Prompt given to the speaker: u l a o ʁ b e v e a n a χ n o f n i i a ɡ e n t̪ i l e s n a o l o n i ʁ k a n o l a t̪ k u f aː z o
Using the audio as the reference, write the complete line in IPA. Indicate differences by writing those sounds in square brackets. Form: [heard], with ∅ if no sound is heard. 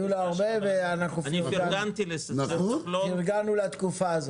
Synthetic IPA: u l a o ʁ b e v e a n a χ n [u] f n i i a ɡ [a] n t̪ i l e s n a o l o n i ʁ [ɡ] a n [u] l a t̪ k u f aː z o